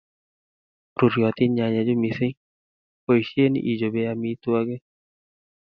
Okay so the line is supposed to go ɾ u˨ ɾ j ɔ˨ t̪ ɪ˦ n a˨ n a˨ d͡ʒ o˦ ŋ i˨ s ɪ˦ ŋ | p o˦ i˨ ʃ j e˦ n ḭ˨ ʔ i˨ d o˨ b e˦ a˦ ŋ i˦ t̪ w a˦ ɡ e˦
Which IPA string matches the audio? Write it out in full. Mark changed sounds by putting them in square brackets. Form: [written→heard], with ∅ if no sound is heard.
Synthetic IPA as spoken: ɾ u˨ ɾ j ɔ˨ t̪ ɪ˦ [n→ɲ] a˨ [n→ɲ] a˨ d͡ʒ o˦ [ŋ→m] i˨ s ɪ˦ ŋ | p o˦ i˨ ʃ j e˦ n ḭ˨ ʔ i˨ [d→d͡ʒ] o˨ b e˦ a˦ [ŋ→m] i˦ t̪ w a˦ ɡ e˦

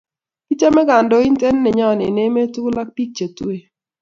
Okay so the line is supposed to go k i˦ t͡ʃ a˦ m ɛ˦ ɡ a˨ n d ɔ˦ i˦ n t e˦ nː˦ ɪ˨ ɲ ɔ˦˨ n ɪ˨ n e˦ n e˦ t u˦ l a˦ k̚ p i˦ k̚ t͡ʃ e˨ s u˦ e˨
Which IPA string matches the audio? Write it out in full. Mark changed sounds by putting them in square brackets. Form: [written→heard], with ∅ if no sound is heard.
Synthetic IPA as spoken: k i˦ t͡ʃ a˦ m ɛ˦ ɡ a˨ n d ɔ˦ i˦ n t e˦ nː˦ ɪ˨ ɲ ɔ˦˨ n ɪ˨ n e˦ [n→m] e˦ t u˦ l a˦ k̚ p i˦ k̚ t͡ʃ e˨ [s→t] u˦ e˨

